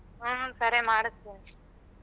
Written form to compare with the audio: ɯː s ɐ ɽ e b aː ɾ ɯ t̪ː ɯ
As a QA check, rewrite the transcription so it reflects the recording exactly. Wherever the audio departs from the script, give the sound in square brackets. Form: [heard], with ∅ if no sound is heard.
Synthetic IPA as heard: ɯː s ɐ [ɾ] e [m] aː [ɽ] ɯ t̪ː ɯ